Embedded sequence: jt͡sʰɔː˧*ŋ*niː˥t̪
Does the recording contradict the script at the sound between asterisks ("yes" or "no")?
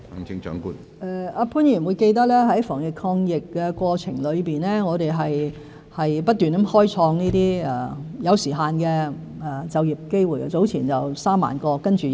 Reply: no